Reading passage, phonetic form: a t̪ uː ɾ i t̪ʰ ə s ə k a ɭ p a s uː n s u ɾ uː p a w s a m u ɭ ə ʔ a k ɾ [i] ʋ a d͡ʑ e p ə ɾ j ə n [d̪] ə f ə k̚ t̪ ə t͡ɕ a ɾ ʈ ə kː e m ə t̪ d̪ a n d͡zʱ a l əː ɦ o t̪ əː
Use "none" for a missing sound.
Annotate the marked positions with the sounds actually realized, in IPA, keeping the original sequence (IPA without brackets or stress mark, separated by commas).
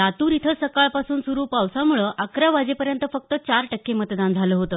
a, t̪